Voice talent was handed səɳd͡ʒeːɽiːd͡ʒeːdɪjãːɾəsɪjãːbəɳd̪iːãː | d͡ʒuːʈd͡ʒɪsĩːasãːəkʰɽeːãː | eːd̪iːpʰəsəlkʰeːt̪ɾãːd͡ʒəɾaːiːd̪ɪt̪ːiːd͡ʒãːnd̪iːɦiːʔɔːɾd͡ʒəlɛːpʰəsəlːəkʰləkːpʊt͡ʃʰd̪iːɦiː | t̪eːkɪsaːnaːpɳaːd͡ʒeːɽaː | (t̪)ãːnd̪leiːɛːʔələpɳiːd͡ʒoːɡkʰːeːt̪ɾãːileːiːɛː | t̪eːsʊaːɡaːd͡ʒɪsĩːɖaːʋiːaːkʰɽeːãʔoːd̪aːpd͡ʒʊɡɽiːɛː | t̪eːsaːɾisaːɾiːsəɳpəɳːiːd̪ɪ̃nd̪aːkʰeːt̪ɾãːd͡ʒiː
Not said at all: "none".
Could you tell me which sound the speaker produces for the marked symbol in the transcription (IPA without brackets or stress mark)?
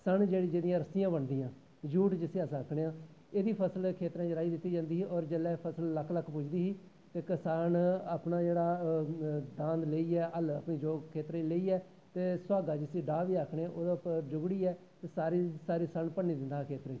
d̪